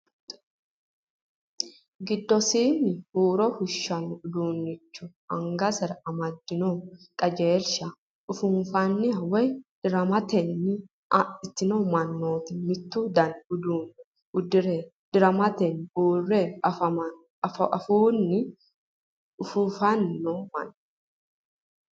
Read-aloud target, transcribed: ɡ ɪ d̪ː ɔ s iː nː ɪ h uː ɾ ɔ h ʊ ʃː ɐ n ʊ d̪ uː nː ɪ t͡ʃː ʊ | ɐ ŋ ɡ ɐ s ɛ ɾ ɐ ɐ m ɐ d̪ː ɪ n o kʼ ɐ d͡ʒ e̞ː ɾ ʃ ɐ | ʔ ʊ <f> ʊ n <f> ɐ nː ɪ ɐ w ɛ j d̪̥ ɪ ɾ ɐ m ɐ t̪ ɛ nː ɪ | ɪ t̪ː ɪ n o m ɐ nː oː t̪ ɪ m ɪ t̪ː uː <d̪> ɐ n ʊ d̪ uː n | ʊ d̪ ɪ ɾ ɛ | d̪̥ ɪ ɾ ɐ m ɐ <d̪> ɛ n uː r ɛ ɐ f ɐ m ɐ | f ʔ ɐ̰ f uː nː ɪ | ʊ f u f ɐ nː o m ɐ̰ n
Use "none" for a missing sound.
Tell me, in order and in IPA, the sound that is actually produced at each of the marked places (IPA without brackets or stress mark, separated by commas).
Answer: f, f, d̪, t̪